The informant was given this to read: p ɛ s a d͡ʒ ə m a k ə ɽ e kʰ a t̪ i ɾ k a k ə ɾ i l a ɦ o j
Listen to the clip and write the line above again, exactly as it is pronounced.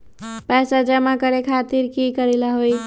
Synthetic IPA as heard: p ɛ s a d͡ʒ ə m a k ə ɾ e kʰ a t̪ i ɾ k i k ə ɾ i l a ɦ o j